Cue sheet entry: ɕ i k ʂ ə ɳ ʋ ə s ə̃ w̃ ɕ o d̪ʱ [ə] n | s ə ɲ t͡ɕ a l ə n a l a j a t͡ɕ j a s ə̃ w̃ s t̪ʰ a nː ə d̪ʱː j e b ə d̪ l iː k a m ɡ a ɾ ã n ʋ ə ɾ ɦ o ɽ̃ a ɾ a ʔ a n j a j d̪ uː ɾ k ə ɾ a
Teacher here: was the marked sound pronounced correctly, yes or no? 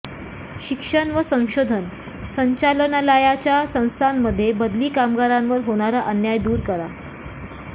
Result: yes